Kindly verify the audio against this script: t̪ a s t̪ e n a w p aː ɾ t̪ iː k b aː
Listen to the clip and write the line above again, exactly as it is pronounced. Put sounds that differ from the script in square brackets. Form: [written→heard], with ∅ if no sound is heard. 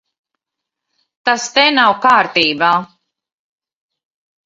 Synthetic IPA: t̪ a s t̪ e n a w [p→k] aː ɾ t̪ iː [k→∅] b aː